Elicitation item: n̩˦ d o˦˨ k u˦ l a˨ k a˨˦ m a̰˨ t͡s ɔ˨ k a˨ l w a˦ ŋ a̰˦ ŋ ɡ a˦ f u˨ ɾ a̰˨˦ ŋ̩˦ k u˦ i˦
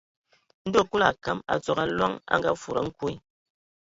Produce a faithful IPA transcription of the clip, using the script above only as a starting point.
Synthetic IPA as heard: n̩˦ d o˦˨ k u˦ l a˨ k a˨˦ m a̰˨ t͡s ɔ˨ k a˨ l w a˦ ŋ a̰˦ ŋ ɡ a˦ f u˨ ɾ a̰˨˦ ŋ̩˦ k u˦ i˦